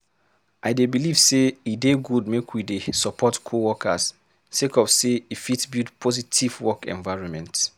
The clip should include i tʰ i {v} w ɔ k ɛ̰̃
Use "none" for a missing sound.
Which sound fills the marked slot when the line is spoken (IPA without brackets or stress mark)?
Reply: v